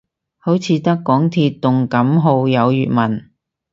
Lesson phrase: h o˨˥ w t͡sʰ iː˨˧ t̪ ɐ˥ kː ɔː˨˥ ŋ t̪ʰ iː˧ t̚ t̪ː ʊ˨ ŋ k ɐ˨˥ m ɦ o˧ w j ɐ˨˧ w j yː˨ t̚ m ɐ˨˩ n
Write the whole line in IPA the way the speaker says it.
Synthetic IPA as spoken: h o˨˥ w t͡sʰ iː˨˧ t̪ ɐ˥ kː ɔː˨˥ ŋ t̪ʰ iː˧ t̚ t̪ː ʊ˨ ŋ k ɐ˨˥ m ɦ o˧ w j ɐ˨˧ w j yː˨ t̚ m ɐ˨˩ n

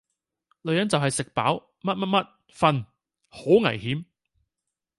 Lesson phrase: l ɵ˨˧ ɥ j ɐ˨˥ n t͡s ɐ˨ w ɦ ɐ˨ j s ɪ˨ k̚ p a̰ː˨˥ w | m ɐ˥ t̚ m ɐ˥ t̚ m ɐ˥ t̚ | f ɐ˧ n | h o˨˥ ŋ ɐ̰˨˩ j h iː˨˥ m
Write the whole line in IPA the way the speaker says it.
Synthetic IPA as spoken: l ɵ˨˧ ɥ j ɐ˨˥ n t͡s ɐ˨ w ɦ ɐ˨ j s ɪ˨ k̚ p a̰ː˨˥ w | m ɐ˥ t̚ m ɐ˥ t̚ m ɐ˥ t̚ | f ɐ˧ n | h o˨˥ ŋ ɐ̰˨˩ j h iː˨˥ m

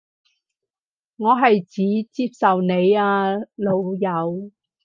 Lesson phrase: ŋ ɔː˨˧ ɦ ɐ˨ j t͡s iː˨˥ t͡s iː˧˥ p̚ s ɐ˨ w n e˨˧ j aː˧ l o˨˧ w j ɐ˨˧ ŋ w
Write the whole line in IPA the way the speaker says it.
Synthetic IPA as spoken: ŋ ɔː˨˧ ɦ ɐ˨ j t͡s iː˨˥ t͡s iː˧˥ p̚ s ɐ˨ w n e˨˧ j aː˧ l o˨˧ w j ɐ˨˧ w

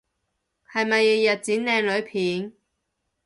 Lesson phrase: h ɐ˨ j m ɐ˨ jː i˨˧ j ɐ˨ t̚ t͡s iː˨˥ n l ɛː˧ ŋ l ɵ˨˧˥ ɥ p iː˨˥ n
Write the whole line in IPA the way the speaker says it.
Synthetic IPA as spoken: h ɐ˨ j m ɐ˨ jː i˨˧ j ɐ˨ t̚ t͡s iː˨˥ n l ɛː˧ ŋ l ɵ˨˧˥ ɥ pʰ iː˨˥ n

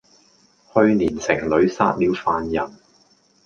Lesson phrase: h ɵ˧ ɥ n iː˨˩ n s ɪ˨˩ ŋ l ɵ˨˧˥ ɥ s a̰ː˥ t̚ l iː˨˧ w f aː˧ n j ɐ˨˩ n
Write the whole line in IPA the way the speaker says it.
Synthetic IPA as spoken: h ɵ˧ ɥ n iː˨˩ n s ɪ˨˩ ŋ l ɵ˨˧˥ ɥ s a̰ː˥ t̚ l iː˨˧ w f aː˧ n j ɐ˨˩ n

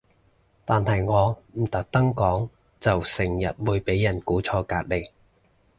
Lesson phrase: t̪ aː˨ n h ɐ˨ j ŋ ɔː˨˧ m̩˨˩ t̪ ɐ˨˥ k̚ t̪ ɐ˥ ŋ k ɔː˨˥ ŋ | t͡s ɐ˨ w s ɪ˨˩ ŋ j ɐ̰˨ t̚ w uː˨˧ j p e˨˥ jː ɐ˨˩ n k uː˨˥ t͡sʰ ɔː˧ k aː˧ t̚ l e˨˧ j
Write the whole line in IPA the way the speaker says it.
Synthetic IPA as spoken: t̪ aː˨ n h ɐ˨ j ŋ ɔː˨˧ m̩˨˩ t̪ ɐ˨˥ k̚ t̪ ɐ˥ ŋ k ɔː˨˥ ŋ | t͡s ɐ˨ w s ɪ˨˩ ŋ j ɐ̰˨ t̚ w uː˨˧ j p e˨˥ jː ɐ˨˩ n k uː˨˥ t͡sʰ ɔː˧ k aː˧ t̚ l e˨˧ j

